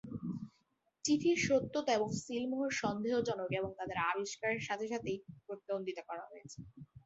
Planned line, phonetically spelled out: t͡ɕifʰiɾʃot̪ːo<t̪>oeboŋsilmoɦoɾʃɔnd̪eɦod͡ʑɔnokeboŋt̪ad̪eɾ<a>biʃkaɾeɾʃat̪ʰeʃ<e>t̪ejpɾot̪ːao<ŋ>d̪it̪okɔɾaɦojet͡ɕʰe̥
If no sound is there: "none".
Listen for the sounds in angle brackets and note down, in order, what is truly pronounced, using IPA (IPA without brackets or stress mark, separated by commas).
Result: t̪, a, a, n